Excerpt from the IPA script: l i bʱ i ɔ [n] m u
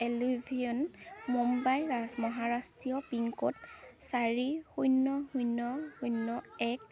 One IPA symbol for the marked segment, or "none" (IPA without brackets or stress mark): n